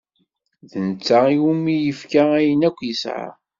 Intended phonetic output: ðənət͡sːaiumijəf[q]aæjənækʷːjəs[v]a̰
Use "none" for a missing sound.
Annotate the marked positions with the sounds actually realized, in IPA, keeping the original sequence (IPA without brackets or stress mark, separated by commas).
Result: k, ʕ